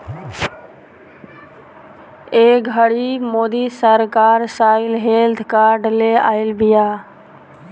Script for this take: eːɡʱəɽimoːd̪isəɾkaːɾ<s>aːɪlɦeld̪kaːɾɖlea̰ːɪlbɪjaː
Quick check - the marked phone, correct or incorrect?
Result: correct